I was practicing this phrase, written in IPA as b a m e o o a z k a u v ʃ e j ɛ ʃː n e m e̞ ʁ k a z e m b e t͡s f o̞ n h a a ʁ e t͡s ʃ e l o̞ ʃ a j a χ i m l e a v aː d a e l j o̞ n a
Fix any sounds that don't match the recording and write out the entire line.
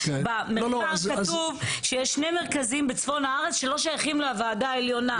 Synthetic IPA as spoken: b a m e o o a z k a u v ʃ e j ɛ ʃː n e m e̞ ʁ k a z i m b e t͡s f o̞ n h a a ʁ e t͡s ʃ e l o̞ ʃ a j a χ i m l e a v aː d a e l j o̞ n a